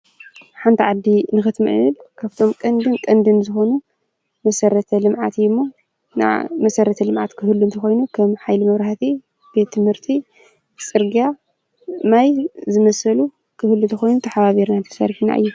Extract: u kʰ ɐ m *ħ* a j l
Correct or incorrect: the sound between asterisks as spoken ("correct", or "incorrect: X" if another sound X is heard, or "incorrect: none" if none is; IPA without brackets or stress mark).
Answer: correct